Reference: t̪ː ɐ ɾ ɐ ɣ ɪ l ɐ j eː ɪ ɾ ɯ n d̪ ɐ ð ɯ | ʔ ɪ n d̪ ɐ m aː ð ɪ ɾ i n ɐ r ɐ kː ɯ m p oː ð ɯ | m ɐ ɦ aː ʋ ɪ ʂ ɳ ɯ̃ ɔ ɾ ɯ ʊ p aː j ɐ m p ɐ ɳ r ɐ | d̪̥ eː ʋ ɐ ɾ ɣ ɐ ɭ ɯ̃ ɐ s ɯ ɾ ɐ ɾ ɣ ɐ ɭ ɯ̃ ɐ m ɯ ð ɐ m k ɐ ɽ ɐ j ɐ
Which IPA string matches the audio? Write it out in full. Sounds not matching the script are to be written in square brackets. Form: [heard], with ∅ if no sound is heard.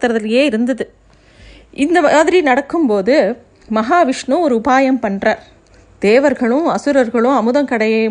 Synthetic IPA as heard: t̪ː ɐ ɾ ɐ [ð] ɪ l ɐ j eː ɪ ɾ ɯ n d̪ ɐ ð ɯ | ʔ ɪ n d̪ ɐ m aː ð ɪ ɾ i n ɐ [ɽ] ɐ kː ɯ m p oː ð ɯ | m ɐ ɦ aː ʋ ɪ ʂ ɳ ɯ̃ ɔ ɾ ɯ ʊ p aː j ɐ m p ɐ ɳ r ɐ | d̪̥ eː ʋ ɐ ɾ ɣ ɐ ɭ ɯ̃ ɐ s ɯ ɾ ɐ ɾ ɣ ɐ ɭ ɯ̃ ɐ m ɯ ð ɐ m k ɐ ɽ ɐ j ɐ